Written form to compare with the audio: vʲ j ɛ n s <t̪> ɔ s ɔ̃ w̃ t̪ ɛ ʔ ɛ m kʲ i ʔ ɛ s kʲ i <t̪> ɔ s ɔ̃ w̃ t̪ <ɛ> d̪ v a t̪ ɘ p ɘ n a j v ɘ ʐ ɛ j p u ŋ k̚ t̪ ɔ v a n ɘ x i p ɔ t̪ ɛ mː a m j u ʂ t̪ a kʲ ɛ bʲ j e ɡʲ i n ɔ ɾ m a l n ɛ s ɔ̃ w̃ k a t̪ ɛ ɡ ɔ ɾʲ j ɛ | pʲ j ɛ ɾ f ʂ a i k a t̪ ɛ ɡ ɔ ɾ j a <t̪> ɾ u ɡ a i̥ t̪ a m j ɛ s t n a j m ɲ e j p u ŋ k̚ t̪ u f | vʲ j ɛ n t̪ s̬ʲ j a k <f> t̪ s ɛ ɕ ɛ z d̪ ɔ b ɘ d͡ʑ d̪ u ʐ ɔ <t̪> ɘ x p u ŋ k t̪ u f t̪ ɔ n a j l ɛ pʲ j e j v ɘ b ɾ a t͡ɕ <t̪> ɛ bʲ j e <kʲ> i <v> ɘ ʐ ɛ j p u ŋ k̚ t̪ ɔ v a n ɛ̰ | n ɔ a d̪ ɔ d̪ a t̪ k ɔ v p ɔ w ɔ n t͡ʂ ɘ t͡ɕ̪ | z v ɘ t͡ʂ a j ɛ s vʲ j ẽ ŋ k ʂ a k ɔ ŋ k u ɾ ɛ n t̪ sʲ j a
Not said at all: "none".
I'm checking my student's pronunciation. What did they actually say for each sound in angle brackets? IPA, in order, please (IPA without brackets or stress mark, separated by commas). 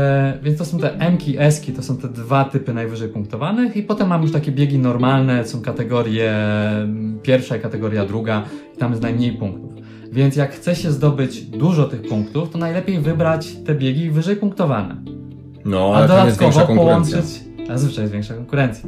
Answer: t̪, t̪, ɛ, d̪, x, t̪, t̪, ɡʲ, v